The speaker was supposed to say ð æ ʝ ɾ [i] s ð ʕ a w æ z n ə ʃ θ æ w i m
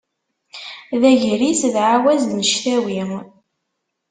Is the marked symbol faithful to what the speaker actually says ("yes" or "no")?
yes